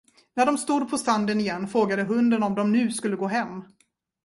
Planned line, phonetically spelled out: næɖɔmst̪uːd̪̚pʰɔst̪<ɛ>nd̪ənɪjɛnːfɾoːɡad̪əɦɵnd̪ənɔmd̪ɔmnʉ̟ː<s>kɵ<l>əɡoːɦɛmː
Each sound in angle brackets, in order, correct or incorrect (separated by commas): incorrect, correct, incorrect